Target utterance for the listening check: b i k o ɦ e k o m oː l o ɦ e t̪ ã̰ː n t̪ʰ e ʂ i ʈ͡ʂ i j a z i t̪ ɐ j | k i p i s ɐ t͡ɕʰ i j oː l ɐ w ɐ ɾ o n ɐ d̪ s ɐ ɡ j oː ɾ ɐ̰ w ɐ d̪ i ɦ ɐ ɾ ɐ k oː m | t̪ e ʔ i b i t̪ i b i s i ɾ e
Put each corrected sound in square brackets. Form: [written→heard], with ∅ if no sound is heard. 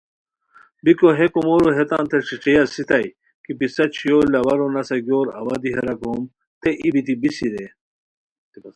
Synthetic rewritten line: b i k o ɦ e k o m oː [l→ɾ] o ɦ e t̪ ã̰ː n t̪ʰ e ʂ i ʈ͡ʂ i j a [z→s] i t̪ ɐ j | k i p i s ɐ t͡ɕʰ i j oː l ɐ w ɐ ɾ o n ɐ [d̪→∅] s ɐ ɡ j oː ɾ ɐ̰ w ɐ d̪ i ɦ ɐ ɾ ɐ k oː m | t̪ e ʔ i b i t̪ i b i s i ɾ e